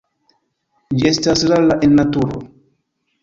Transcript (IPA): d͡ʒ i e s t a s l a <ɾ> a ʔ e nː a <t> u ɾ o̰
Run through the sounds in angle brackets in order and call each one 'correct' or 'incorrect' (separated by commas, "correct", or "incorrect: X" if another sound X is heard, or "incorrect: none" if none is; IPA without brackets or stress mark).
incorrect: l, correct